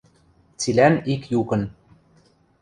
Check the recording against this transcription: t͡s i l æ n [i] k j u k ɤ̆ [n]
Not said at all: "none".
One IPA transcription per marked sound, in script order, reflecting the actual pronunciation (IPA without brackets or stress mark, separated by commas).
i, n